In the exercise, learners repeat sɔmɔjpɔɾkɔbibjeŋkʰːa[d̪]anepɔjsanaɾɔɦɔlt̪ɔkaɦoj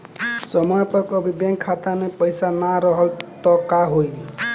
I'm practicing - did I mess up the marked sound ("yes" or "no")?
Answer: yes